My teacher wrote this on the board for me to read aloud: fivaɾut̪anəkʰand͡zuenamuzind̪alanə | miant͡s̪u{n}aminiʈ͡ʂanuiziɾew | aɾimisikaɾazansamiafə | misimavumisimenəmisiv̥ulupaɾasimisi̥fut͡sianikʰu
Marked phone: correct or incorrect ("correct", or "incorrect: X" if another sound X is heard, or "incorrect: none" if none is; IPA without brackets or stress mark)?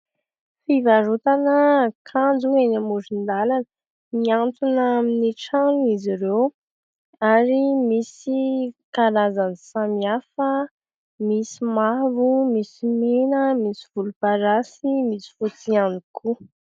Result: correct